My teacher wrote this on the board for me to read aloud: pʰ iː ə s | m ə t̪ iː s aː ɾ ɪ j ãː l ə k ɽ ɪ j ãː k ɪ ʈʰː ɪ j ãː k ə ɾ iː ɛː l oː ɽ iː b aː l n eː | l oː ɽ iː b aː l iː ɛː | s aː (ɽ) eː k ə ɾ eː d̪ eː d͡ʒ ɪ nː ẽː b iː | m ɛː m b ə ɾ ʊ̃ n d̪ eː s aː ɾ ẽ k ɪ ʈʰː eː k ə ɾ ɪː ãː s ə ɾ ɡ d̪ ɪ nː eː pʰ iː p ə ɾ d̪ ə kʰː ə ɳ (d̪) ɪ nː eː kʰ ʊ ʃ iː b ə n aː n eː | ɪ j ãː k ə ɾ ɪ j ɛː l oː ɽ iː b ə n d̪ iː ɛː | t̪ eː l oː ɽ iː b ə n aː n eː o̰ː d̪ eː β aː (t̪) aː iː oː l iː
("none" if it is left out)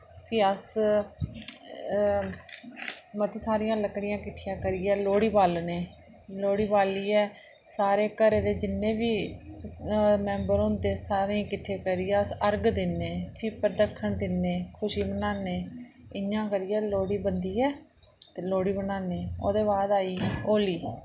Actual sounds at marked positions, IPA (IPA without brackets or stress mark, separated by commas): ɾ, d̪, d̪